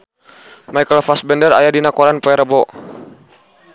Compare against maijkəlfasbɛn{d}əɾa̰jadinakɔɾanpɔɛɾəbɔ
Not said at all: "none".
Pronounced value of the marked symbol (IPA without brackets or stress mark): d